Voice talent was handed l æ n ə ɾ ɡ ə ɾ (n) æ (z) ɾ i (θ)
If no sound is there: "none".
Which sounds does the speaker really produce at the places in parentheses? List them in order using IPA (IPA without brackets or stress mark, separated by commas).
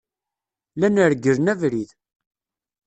n, v, ð